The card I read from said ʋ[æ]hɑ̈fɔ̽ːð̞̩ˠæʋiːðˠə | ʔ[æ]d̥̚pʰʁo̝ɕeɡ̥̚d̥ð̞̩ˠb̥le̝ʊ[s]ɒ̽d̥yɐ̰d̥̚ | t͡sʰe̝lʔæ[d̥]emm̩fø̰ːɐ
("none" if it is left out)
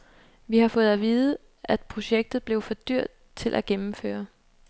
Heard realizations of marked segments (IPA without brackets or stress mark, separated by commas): i, æ, f, ɡ̥